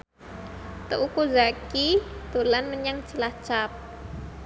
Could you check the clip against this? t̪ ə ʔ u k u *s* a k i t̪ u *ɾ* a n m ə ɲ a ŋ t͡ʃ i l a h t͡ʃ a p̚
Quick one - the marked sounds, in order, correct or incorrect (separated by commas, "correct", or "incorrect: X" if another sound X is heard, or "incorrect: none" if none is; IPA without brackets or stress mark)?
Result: incorrect: z, incorrect: l